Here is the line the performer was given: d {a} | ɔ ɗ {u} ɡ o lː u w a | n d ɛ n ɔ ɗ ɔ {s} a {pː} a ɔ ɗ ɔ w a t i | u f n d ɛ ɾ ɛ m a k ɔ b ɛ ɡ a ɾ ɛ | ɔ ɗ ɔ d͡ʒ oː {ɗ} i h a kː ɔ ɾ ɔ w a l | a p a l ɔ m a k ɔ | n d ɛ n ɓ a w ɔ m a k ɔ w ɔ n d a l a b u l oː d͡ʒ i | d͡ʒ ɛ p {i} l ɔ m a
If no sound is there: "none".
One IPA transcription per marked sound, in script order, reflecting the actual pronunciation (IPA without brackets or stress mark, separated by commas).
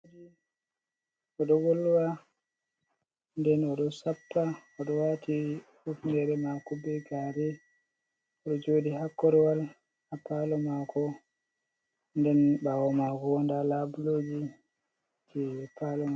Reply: i, ɔ, s, pː, d, a